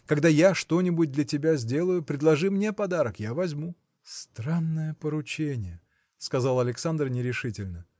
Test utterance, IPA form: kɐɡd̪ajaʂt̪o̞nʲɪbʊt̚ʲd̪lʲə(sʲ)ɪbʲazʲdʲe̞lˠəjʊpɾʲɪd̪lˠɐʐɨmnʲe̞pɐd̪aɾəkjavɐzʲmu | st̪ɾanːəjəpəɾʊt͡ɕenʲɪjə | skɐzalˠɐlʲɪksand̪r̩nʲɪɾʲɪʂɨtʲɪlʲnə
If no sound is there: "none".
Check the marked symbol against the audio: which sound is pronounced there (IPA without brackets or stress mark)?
tʲ